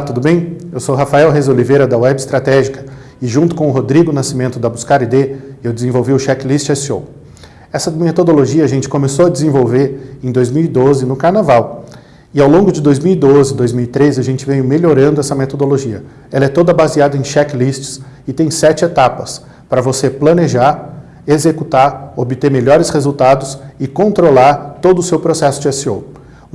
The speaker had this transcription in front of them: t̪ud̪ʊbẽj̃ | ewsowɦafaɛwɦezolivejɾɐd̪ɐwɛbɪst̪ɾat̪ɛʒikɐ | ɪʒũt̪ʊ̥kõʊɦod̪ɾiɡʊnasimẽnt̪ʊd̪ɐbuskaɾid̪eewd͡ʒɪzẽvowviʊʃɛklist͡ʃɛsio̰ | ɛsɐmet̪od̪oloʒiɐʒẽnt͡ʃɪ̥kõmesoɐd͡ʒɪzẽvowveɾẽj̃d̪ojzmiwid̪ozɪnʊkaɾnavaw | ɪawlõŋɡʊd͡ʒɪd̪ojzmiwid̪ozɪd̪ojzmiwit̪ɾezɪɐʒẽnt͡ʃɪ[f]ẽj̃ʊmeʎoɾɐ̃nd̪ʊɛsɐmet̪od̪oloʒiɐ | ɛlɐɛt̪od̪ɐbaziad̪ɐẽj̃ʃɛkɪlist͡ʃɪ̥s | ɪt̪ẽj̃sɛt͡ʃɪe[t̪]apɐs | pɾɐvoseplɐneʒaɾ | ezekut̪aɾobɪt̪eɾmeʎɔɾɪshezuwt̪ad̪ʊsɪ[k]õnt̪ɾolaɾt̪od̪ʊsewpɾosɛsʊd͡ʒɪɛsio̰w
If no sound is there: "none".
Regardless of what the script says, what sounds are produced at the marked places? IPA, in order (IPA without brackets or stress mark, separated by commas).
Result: v, t̪, k